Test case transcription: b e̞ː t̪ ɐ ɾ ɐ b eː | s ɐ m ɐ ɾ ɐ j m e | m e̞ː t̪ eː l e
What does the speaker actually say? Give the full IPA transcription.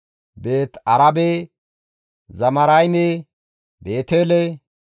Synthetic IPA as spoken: b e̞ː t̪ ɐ ɾ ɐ b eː | z ɐ m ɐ ɾ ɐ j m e | b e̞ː t̪ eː l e

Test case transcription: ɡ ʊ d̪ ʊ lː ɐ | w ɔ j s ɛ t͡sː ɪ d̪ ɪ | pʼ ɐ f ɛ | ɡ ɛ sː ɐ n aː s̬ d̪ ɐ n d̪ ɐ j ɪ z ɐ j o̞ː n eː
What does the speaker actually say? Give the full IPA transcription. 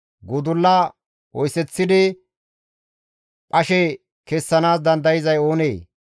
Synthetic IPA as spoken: ɡ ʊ d̪ ʊ lː ɐ | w ɔ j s ɛ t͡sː ɪ d̪ ɪ | pʼ ɐ ʃ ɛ | k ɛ sː ɐ n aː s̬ d̪ ɐ n d̪ ɐ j ɪ z ɐ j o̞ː n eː

